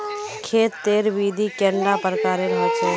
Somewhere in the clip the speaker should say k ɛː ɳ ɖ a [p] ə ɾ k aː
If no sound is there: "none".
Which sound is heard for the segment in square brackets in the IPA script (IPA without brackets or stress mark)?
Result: p